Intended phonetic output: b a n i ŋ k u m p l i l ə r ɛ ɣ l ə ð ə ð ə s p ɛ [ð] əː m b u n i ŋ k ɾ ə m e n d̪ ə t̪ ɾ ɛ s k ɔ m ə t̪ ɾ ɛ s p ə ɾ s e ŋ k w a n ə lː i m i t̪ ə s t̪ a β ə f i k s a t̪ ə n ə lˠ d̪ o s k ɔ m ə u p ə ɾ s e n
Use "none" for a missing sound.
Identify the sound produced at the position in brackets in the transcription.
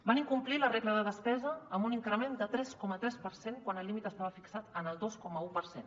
z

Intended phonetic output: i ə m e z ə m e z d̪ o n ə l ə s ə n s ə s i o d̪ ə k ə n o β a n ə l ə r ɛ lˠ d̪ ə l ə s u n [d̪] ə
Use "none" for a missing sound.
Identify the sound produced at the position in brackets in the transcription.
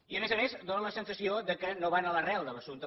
t̪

